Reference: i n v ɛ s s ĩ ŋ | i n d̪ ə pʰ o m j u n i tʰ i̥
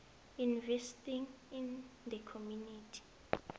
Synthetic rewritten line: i n v ɛ s t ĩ ŋ | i n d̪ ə kʰ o m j u n i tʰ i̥